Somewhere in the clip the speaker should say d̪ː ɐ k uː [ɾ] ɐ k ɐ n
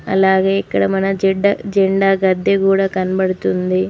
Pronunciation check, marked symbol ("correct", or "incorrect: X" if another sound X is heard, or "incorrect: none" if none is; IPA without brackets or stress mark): incorrect: ɽ